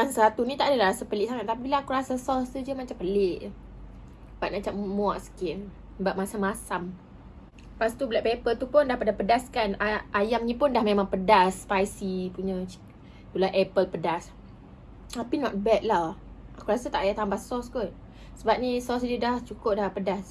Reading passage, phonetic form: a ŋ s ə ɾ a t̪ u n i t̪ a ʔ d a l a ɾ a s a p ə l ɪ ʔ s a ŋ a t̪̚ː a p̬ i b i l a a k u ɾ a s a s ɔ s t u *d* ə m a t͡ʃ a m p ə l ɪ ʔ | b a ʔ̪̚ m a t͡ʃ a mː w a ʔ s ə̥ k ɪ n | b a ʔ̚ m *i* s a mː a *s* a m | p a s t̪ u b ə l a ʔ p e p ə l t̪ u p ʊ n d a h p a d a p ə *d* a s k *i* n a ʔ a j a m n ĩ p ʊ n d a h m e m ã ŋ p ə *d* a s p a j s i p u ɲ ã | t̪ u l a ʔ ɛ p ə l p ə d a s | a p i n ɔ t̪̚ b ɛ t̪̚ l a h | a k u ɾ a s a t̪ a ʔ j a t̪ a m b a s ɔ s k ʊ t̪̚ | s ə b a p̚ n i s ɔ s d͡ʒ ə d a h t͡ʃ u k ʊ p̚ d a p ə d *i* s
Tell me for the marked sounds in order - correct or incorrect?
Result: incorrect: d͡ʒ, incorrect: a, correct, correct, incorrect: a, correct, incorrect: a

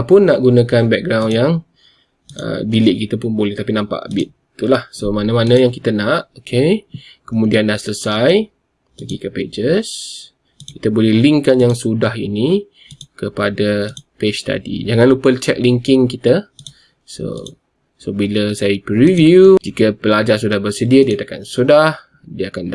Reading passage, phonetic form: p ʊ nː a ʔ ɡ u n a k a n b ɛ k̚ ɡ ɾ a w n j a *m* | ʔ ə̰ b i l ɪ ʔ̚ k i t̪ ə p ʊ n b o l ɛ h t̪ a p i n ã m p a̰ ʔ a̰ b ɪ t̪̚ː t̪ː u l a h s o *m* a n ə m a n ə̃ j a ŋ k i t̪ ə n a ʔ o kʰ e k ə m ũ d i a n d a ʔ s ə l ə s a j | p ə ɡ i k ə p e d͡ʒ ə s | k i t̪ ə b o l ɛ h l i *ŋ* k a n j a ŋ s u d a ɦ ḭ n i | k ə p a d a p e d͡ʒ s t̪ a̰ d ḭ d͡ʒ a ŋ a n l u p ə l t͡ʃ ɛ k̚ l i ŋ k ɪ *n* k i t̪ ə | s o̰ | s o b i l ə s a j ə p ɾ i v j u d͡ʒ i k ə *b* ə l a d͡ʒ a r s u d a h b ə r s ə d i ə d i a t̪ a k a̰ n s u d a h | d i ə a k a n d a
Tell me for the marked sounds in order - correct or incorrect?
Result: incorrect: ŋ, correct, correct, incorrect: ŋ, incorrect: p

